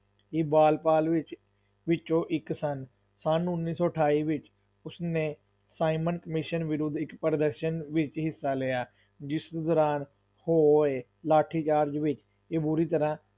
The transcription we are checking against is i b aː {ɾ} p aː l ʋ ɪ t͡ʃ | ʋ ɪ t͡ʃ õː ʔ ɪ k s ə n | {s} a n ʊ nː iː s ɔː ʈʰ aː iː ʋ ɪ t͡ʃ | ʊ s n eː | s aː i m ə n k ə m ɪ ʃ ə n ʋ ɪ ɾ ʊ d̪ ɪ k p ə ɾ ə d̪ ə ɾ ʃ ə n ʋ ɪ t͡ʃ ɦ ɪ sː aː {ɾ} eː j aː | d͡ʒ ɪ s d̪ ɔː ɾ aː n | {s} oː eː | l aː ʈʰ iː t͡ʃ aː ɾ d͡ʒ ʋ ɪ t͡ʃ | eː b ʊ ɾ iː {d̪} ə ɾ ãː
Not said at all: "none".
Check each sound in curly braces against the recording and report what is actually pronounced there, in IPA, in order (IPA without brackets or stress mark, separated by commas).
l, s, l, h, t̪